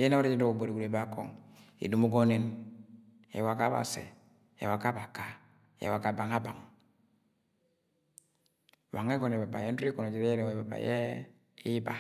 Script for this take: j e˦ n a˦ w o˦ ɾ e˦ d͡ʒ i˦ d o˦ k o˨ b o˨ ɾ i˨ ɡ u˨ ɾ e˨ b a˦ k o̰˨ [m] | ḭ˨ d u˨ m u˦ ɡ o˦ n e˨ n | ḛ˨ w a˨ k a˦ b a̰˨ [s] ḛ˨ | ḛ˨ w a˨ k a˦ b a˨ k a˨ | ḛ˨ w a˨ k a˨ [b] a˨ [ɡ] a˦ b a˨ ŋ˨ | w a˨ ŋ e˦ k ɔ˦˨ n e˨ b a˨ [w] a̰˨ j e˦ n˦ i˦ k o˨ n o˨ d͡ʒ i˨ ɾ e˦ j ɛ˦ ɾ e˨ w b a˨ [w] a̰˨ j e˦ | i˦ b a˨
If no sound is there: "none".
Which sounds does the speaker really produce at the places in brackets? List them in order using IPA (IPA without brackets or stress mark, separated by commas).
ŋ, s, b, ŋ, b, b